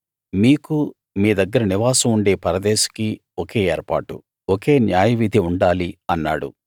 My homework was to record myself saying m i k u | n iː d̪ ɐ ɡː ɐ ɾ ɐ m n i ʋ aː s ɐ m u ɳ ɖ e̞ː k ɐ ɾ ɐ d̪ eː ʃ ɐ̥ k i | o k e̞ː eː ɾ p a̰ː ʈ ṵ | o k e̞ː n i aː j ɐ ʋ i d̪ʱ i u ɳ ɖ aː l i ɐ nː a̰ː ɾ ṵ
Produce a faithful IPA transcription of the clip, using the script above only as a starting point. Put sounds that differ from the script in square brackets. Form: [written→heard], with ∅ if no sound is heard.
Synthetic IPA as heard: m [i→iː] k u | [n→m] iː d̪ ɐ ɡː ɐ ɾ ɐ [m→∅] n i ʋ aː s ɐ m u ɳ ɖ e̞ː [k→p] ɐ ɾ ɐ d̪ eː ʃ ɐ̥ k i | o k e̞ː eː ɾ p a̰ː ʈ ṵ | o k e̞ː n [i→j] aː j ɐ ʋ i d̪ʱ i u ɳ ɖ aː l i ɐ nː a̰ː [ɾ→ɽ] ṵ